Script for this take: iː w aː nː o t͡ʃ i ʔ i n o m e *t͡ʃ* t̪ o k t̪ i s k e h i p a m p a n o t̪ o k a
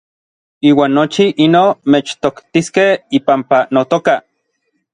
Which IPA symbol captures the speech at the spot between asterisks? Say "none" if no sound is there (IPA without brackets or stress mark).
t͡ʃ